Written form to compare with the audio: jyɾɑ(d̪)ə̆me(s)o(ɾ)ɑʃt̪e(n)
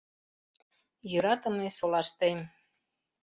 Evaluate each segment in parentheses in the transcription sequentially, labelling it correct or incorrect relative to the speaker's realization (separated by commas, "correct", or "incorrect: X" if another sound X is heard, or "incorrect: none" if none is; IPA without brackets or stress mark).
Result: incorrect: t̪, correct, incorrect: l, incorrect: m